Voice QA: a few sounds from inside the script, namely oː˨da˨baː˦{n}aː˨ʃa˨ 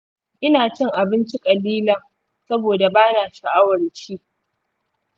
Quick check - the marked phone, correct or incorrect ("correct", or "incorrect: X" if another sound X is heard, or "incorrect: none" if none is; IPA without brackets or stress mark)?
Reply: correct